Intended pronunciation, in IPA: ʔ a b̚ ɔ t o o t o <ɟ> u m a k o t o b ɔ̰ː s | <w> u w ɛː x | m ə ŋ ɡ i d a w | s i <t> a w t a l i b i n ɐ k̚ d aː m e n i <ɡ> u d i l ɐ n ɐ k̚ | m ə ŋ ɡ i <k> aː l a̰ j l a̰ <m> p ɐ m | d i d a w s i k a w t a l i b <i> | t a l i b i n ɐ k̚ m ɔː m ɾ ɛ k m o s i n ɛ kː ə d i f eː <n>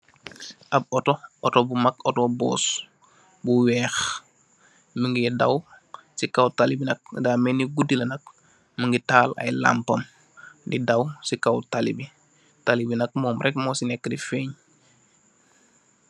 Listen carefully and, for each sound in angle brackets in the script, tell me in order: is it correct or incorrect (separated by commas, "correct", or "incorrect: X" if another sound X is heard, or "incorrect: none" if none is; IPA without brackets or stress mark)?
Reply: incorrect: b, incorrect: b, incorrect: k, correct, incorrect: t, correct, correct, incorrect: ɲ